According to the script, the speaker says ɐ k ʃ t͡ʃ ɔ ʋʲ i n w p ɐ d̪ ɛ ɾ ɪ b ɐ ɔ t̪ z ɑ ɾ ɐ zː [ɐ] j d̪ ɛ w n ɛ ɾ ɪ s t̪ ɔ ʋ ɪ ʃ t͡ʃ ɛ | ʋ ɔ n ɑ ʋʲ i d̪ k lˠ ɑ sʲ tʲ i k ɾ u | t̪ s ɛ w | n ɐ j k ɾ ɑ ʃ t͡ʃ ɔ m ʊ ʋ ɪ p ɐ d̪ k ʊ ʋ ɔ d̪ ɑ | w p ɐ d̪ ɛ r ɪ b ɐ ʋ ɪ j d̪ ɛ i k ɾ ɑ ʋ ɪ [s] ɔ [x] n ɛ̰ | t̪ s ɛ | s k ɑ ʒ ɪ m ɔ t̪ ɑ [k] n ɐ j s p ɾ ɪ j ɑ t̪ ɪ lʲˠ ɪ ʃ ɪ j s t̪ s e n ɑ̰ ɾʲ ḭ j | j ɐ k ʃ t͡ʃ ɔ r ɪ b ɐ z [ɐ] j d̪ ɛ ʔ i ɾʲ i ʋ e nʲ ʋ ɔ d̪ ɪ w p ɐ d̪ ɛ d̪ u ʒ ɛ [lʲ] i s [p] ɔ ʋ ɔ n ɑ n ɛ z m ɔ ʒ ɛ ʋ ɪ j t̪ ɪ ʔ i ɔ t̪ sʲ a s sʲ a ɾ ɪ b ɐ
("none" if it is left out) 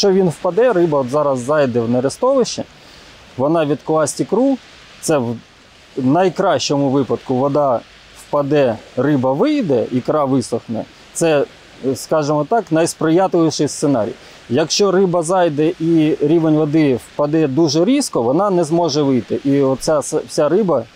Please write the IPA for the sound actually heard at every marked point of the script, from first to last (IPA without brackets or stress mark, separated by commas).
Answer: ɑ, s, x, k, ɑ, ɾʲ, k